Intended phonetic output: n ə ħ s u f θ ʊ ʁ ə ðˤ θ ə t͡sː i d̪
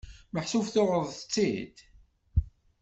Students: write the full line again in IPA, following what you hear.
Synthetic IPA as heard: m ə ħ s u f θ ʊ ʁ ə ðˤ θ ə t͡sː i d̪